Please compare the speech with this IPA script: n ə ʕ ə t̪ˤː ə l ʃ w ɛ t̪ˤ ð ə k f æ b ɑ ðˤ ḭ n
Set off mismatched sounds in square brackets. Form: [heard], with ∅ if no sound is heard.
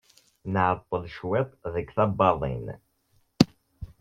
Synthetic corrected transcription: n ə ʕ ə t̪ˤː ə l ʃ w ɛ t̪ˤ ð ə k [θ] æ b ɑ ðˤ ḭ n

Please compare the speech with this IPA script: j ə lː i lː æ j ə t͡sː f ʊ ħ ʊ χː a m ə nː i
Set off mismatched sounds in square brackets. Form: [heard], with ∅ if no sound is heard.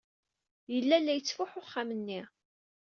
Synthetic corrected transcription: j ə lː [æ] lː æ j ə t͡sː f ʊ ħ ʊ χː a m ə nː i

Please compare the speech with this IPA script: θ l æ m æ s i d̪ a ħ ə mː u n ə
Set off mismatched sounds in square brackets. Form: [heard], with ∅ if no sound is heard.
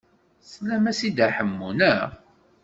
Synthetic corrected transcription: [s] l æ m æ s i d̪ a ħ ə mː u n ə

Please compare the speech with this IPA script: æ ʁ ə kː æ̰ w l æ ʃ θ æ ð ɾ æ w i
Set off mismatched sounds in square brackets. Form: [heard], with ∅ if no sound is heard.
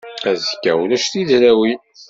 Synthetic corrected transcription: æ [z] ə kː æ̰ w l æ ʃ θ [i] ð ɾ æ w i

